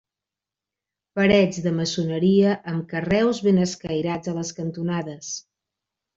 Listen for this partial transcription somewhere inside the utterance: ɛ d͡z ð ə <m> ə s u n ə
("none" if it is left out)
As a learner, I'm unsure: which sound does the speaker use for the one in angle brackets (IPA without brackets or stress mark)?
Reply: m